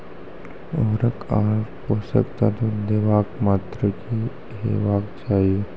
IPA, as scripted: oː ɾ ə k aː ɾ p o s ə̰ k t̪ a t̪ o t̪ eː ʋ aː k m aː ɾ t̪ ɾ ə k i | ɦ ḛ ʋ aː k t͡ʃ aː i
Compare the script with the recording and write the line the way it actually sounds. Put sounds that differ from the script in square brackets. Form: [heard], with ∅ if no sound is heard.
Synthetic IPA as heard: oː ɾ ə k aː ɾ p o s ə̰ k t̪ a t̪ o [d̪] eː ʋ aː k m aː [∅] t̪ ɾ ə k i | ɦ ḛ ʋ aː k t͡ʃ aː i